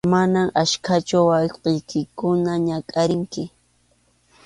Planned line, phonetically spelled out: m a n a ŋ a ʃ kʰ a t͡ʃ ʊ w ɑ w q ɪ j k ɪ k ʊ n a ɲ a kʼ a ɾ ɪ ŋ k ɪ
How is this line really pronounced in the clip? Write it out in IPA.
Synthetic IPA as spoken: m a n a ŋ a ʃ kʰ a t͡ʃ ʊ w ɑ w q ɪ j k ɪ k ʊ n a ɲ a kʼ a ɾ ɪ ŋ k ɪ